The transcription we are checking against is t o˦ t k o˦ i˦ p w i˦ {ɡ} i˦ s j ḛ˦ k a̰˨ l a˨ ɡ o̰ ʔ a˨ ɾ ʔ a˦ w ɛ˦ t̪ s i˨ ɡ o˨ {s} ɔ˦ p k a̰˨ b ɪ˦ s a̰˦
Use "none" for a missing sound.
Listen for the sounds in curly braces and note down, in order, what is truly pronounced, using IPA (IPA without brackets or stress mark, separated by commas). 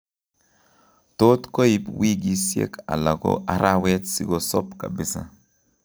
ɡ, s